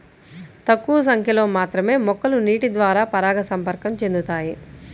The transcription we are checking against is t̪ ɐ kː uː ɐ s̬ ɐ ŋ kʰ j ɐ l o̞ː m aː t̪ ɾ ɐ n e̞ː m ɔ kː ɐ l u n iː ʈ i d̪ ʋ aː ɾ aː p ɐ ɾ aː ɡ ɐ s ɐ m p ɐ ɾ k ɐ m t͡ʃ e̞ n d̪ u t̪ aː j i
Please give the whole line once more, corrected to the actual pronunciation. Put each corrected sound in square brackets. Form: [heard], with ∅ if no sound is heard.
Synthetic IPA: t̪ ɐ kː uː ɐ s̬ ɐ ŋ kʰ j ɐ l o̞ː m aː t̪ ɾ ɐ [m] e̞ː m ɔ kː ɐ l u n iː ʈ i d̪ ʋ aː ɾ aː p ɐ ɾ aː ɡ ɐ s ɐ m p ɐ ɾ k ɐ m t͡ʃ e̞ n d̪ u t̪ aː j i